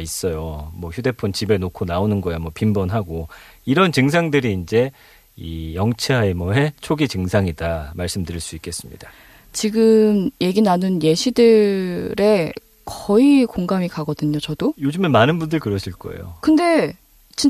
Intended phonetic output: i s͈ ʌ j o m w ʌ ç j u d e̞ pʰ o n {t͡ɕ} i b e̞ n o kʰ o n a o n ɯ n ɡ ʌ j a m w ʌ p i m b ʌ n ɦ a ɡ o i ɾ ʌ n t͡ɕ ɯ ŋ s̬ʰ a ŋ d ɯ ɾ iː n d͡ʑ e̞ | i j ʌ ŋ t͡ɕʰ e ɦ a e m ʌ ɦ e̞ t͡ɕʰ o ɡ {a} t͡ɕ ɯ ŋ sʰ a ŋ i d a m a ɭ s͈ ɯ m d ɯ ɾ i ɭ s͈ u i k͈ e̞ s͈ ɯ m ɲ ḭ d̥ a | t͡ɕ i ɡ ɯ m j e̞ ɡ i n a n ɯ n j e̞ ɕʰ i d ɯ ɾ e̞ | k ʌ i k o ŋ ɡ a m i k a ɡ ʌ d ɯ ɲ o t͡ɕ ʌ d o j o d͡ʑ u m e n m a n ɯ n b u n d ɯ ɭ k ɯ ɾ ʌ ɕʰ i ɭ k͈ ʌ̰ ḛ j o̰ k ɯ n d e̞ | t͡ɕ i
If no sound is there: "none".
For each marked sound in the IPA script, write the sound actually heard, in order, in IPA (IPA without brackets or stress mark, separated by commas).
t͡ɕ, i